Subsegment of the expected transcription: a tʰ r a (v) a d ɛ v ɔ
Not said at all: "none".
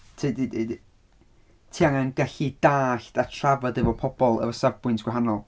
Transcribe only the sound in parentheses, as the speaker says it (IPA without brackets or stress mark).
v